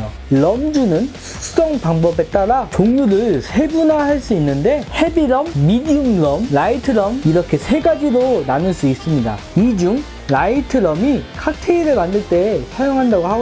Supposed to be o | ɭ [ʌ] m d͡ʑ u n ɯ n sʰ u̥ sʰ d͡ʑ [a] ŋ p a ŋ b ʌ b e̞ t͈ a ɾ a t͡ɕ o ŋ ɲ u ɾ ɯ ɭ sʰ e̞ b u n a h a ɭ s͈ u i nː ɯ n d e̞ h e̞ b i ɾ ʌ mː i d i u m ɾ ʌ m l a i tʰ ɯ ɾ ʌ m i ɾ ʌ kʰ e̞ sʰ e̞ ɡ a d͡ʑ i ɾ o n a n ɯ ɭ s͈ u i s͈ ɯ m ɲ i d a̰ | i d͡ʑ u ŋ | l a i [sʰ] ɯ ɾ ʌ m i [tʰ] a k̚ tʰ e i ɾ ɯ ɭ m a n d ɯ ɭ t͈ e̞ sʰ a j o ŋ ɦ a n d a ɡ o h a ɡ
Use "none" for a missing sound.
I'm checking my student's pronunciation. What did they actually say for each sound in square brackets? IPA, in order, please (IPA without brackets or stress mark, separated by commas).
ʌ, ʌ, tʰ, kʰ